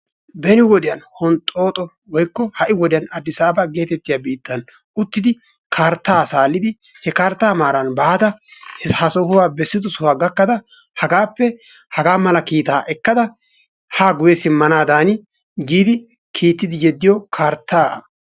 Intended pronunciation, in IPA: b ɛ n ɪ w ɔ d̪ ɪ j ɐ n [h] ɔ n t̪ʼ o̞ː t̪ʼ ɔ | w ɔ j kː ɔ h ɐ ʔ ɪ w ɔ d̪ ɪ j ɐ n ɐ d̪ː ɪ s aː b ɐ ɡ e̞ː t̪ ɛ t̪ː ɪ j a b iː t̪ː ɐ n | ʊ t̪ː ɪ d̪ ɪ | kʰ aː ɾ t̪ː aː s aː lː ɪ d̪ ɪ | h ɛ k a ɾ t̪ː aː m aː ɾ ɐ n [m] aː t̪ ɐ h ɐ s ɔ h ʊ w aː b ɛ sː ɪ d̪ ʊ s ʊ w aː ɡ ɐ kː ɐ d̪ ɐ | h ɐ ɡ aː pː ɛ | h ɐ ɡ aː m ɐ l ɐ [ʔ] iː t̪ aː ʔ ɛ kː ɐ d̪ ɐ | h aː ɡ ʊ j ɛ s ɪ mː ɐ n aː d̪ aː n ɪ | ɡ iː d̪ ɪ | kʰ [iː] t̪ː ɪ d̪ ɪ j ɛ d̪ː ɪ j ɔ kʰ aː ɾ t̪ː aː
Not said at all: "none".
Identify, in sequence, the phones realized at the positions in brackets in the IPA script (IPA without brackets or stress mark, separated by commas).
h, b, k, iː